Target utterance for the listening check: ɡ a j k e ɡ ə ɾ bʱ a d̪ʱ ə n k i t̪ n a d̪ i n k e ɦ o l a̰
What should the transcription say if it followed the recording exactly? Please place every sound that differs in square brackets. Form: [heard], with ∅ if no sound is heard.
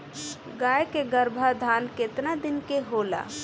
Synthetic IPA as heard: ɡ a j k e ɡ ə ɾ bʱ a d̪ʱ [a] n k [e] t̪ n a d̪ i n k e ɦ o l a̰